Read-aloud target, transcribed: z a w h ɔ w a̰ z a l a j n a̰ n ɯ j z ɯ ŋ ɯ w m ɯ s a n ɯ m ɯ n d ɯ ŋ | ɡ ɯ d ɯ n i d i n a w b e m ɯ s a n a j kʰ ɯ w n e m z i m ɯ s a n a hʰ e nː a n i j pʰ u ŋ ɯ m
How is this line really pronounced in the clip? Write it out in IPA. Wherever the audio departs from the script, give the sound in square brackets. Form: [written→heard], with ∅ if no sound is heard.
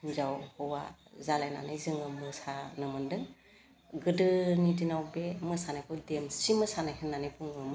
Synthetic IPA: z a w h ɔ w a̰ z a l a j n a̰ n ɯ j z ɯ ŋ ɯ [w→∅] m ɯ s a n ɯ m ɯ n d ɯ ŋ | ɡ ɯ d ɯ n i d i n a w b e m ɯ s a n a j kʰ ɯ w [n→d] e m [z→s] i m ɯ s a n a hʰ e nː a n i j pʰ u ŋ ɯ m